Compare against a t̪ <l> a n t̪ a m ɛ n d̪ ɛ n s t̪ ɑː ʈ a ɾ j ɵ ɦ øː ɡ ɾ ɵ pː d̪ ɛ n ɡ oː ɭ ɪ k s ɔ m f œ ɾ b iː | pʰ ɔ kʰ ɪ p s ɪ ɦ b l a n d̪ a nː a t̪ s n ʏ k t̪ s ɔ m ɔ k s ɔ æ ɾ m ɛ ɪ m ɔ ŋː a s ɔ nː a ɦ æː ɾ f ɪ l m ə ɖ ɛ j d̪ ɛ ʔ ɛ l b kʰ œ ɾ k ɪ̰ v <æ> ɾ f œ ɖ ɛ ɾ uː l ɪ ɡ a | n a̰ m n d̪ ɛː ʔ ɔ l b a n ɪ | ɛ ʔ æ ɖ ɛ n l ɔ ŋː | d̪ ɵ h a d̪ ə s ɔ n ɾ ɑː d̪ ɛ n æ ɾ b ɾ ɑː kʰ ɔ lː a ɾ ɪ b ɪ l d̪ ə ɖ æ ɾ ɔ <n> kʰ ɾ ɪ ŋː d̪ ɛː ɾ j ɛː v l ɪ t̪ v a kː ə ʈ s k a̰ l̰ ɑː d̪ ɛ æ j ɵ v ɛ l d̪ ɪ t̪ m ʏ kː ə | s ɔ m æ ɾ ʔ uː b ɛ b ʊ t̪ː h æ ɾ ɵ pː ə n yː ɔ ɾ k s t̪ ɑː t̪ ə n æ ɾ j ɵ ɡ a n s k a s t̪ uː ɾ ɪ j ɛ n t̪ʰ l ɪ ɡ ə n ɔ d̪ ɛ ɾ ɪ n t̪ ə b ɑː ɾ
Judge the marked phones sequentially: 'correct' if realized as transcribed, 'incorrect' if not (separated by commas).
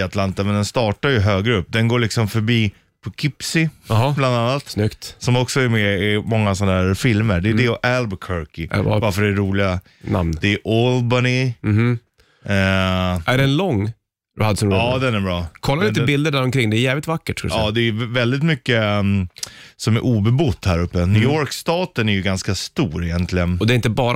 correct, incorrect, incorrect